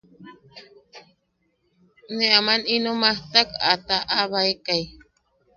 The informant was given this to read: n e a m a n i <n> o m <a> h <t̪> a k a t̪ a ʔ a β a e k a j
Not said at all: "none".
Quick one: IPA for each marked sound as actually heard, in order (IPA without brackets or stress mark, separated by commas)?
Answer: n, a, t̪